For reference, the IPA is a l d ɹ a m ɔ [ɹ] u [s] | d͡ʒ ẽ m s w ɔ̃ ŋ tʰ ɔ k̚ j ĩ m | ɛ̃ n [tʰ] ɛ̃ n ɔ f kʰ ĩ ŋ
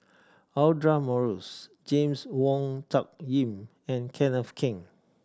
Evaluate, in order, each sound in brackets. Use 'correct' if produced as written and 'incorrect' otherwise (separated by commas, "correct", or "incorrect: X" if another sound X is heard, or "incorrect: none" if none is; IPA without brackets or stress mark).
correct, correct, incorrect: kʰ